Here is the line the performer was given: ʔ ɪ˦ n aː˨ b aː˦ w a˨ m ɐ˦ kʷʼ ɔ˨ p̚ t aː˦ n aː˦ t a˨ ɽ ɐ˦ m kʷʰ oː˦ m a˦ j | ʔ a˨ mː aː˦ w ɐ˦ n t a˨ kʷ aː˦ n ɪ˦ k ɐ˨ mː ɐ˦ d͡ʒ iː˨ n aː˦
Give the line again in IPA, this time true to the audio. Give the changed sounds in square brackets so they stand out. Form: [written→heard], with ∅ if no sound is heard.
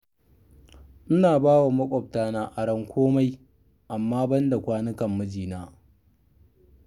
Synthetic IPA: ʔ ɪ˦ n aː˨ b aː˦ w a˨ m ɐ˦ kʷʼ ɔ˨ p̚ t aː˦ n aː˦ [t→ʔ] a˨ ɽ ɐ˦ [m→ŋ] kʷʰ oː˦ m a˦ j | ʔ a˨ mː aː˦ [w→b] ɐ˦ n [t→d] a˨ kʷ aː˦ n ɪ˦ k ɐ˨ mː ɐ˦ d͡ʒ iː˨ n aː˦